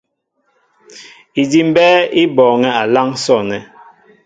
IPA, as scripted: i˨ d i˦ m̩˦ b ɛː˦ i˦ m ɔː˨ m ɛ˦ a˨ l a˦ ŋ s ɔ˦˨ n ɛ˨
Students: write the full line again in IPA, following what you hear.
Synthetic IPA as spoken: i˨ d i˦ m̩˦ b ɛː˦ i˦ b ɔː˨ ŋ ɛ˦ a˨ l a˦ ŋ s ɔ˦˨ n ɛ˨